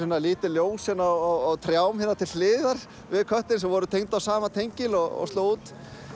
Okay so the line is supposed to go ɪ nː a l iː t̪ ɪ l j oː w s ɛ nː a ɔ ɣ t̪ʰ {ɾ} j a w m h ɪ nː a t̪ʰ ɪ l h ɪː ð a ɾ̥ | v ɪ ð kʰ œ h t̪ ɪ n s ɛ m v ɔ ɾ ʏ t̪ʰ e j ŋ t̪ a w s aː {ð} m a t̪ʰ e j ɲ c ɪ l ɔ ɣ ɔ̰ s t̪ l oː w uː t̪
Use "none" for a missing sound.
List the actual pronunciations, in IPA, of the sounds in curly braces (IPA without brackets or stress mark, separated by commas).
ɾ, none